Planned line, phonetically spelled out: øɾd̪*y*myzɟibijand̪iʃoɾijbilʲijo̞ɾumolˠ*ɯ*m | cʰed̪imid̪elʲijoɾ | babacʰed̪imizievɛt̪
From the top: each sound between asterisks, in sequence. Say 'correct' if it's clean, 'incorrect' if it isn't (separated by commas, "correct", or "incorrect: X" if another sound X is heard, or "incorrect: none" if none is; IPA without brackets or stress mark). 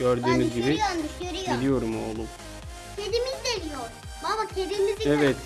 incorrect: yː, incorrect: u